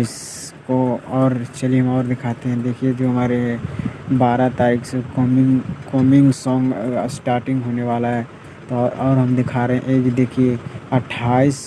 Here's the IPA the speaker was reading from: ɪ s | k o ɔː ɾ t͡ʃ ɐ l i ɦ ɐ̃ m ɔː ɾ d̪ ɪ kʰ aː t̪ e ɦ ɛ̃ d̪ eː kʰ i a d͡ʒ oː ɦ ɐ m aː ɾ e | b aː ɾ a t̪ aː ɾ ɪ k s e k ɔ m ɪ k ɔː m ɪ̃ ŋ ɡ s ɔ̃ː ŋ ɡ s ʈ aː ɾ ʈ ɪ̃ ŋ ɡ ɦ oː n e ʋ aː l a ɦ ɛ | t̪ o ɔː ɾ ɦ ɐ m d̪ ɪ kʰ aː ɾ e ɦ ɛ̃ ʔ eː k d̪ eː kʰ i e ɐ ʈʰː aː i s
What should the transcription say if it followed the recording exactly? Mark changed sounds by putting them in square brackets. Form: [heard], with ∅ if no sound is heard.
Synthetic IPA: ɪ s | k o ɔː ɾ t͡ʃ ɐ l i ɦ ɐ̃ m ɔː ɾ d̪ ɪ kʰ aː t̪ e ɦ ɛ̃ d̪ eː kʰ i [e] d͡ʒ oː ɦ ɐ m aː ɾ e | b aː ɾ a t̪ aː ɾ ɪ k s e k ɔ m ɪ k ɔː m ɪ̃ ŋ ɡ s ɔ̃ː ŋ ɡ s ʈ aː ɾ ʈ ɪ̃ ŋ ɡ ɦ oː n e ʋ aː l a ɦ ɛ | t̪ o ɔː ɾ ɦ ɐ m d̪ ɪ kʰ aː ɾ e ɦ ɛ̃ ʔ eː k d̪ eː kʰ i e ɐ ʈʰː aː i s